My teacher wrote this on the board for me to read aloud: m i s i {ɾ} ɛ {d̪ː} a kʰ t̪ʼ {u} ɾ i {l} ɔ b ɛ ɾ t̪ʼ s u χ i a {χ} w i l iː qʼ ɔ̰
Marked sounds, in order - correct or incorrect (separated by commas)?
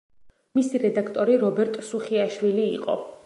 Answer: correct, incorrect, incorrect, incorrect, incorrect